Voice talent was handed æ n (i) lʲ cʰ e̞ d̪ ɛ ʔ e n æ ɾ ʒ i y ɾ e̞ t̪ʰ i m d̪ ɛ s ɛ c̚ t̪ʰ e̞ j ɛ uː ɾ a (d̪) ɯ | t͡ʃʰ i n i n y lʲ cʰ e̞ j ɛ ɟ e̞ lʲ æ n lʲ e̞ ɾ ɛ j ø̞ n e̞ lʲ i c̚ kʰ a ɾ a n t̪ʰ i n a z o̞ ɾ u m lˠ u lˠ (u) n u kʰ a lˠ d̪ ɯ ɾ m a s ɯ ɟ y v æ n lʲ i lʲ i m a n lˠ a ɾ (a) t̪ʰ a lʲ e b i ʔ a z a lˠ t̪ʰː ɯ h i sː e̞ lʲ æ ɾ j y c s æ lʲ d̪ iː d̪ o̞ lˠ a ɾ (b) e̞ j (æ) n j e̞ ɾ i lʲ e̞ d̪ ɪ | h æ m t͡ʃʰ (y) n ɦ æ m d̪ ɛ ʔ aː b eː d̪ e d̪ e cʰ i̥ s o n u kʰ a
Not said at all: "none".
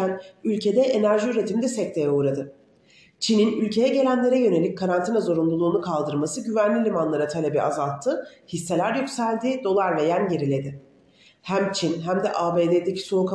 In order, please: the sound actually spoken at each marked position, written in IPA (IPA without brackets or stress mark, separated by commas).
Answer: y, d̪, uː, a, v, æ, i